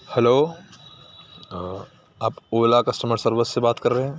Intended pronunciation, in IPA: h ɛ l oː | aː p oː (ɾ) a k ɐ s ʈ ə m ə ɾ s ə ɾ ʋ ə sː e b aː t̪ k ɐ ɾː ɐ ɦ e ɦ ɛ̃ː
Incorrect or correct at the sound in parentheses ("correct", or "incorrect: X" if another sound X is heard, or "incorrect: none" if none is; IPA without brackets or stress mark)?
incorrect: l